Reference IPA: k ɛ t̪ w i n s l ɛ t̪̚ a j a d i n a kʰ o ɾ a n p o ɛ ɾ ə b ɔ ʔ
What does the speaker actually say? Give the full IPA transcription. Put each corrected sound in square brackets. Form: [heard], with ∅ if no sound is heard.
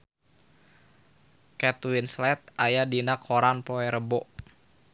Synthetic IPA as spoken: k ɛ t̪ w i n s l ɛ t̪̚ a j a d i n a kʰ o ɾ a n p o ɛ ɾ ə b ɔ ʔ